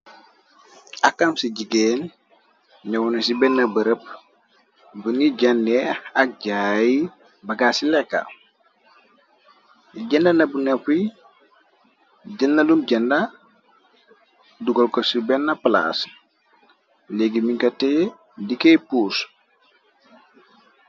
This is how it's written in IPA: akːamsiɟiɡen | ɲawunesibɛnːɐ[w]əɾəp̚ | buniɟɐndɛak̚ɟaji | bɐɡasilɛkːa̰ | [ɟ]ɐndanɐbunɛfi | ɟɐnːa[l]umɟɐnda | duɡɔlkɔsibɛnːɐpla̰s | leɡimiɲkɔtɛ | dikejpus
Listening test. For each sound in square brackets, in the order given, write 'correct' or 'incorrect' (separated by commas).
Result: incorrect, correct, correct